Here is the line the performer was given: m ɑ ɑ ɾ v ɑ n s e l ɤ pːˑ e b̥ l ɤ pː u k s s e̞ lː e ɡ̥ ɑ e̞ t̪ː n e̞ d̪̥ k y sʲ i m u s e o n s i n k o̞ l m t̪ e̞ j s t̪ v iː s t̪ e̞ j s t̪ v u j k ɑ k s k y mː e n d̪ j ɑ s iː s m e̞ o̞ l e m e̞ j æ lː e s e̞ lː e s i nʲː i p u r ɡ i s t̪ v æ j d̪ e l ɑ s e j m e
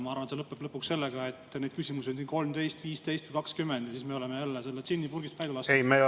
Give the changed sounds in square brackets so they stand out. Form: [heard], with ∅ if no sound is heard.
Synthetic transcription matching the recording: m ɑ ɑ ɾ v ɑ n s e l ɤ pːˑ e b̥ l ɤ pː u k s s e̞ lː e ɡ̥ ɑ e̞ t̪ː n e̞ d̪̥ k y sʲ i m u s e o n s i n k o̞ l m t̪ e̞ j s t̪ v iː s t̪ e̞ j s t̪ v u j k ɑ k s k y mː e n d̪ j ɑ s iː s m e̞ o̞ l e m e̞ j æ lː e s e̞ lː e s i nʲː i p u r ɡ i s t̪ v æ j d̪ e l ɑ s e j m e